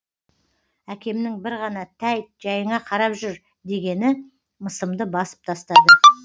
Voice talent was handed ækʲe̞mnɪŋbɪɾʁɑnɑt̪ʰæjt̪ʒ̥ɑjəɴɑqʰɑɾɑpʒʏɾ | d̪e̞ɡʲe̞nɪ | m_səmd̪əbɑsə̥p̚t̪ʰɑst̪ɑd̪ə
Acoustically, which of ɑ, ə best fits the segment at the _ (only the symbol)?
ə